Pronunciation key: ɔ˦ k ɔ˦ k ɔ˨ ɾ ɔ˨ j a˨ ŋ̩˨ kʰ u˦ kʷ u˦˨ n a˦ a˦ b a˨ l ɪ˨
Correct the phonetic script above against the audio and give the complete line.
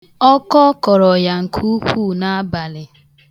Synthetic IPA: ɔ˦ k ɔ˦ k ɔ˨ ɾ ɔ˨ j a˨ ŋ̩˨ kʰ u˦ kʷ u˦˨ n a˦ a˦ b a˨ l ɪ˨

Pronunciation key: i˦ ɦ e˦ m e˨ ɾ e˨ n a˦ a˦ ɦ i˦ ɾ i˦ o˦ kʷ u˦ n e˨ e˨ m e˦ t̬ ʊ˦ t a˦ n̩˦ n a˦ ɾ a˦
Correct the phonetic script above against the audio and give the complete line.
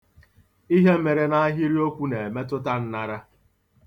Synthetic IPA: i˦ ɦ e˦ m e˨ ɾ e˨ n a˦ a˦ ɦ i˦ ɾ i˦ o˦ kʷ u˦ n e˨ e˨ m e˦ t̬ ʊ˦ t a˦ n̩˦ n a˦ ɾ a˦

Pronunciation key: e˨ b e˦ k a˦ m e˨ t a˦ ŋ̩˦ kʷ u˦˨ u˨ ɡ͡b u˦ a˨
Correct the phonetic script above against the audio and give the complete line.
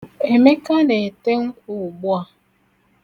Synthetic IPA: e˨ m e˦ k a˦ n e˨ t e˦ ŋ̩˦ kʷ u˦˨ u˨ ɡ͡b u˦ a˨

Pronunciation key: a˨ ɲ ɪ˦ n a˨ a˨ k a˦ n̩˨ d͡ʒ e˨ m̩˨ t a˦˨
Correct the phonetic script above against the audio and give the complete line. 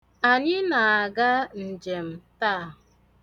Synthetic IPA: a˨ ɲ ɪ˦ n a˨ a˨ ɡ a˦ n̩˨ d͡ʒ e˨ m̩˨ t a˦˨

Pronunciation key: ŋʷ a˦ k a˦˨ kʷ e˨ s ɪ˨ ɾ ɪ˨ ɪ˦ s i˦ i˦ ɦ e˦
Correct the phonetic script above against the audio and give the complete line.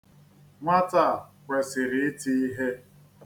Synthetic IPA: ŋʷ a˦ t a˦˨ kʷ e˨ s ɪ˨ ɾ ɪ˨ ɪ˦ t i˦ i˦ ɦ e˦

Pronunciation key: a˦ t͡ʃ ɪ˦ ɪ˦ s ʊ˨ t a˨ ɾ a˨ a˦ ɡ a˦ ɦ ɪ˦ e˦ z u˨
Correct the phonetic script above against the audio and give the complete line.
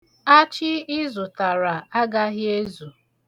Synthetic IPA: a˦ t͡ʃ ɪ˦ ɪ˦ z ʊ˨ t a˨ ɾ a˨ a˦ ɡ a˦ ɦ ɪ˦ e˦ z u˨

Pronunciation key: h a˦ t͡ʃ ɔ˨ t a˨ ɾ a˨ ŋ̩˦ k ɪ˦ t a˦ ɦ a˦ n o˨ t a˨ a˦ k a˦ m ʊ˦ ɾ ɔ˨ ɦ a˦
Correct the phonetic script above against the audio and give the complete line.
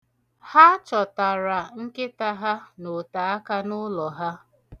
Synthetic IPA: h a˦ t͡ʃ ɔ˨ t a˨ ɾ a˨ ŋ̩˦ k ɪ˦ t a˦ ɦ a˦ n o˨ t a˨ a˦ k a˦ n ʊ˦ l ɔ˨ ɦ a˦

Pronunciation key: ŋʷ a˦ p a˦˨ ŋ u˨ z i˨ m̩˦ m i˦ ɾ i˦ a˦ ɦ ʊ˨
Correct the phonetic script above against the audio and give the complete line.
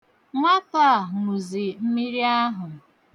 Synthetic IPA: ŋʷ a˦ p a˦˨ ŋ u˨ z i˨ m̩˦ m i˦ ɾ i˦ a˦ ɦ ʊ˨

